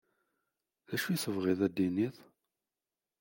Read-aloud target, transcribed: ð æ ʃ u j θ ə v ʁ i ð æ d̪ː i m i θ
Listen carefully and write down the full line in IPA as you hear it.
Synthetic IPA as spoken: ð æ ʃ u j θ ə v ʁ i ð æ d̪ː i n i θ